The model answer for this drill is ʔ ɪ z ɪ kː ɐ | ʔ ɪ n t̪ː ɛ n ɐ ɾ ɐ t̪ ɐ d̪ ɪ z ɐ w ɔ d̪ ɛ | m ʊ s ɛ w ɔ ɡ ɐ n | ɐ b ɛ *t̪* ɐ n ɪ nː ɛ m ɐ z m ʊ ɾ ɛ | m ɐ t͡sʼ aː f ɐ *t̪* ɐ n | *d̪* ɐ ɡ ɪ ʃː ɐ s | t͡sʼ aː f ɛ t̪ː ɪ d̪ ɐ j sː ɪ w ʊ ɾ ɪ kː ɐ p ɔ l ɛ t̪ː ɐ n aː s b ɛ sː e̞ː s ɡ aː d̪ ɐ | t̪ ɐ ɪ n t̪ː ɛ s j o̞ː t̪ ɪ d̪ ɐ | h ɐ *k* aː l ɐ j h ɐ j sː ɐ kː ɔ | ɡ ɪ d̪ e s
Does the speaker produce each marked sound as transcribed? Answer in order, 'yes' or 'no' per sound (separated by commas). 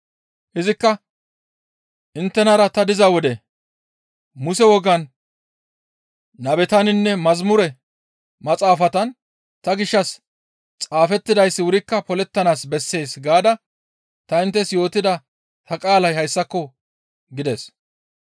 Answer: yes, yes, no, no